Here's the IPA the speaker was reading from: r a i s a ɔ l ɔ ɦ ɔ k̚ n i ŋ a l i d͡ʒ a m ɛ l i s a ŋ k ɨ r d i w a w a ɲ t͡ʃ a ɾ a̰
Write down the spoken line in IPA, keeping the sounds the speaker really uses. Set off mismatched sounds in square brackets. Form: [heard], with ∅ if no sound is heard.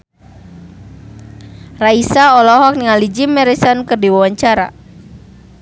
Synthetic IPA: r a i s a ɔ l ɔ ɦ ɔ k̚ n i ŋ a l i d͡ʒ [i] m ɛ [ɾ] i s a [n] k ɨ r d i w a w a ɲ t͡ʃ a ɾ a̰